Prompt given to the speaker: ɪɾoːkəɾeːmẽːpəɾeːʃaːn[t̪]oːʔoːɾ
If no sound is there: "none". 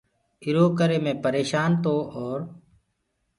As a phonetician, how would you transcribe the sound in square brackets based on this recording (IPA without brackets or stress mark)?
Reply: t̪